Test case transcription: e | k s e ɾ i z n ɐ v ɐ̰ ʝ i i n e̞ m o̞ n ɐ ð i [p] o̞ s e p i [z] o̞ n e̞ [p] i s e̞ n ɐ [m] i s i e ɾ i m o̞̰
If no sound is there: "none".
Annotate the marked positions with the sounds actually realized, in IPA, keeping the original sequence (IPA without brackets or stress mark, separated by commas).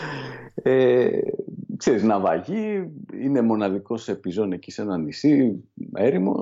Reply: k, z, c, n